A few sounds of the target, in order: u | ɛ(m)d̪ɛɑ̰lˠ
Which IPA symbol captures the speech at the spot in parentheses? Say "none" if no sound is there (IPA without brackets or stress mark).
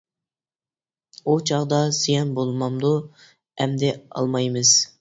m